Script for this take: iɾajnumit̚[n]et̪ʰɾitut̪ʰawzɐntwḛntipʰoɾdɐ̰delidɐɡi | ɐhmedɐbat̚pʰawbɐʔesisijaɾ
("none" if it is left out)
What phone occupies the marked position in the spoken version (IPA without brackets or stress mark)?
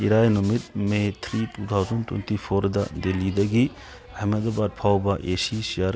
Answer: m